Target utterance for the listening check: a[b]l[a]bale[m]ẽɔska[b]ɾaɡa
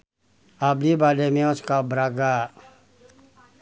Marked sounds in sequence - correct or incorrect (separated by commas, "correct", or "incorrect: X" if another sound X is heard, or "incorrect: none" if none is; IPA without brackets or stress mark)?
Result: correct, incorrect: i, correct, correct